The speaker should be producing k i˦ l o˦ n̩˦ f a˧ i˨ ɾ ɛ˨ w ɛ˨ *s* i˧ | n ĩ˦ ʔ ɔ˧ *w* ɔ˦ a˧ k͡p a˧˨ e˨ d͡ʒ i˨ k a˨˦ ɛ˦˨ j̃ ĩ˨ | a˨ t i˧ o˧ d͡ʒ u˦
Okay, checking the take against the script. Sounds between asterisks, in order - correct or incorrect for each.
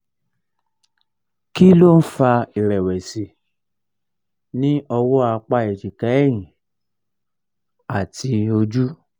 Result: correct, correct

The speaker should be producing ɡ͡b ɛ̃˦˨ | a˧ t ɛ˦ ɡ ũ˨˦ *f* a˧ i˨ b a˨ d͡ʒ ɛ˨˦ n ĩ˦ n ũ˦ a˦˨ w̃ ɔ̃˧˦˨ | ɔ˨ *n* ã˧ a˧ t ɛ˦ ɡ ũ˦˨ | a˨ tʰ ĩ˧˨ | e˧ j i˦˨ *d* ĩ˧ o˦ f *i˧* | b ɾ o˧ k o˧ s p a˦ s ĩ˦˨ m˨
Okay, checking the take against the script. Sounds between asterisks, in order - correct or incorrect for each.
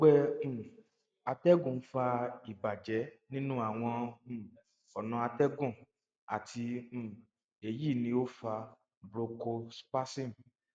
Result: correct, correct, incorrect: n, incorrect: a˧

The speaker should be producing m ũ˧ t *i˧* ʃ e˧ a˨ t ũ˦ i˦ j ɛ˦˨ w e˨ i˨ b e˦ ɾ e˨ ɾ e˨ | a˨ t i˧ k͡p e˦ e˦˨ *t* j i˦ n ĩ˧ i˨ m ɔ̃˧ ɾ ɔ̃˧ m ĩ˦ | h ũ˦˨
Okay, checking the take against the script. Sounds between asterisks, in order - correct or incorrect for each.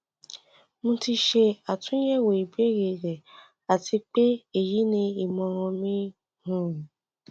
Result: correct, incorrect: none

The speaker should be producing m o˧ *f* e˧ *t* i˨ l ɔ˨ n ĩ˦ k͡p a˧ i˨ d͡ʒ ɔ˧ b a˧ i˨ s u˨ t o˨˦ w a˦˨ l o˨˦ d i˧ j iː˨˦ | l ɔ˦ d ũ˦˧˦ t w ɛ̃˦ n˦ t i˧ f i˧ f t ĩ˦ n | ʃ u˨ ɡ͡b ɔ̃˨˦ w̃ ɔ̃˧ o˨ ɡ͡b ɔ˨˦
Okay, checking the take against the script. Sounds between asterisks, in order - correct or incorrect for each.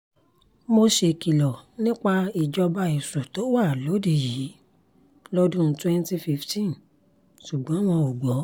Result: incorrect: ʃ, incorrect: k

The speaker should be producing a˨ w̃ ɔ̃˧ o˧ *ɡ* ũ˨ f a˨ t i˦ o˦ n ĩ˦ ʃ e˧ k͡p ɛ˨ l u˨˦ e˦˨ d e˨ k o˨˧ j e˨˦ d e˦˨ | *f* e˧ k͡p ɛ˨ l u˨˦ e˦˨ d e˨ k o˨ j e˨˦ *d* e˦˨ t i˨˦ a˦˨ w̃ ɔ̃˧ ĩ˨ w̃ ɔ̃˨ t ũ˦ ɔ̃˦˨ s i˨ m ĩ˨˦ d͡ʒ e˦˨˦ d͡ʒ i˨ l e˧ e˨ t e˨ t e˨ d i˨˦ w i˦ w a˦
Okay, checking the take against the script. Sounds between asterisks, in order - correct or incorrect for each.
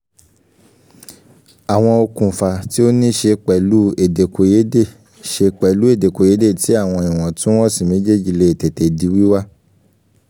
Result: incorrect: k, incorrect: ʃ, correct

